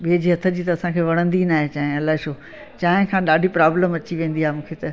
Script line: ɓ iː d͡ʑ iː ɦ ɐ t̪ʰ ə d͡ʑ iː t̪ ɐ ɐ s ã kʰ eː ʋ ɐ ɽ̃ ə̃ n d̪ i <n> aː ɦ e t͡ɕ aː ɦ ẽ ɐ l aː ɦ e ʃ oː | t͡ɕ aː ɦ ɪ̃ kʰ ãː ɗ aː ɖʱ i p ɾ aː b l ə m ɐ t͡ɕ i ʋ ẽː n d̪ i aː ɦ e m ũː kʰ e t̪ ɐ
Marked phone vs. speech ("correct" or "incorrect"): correct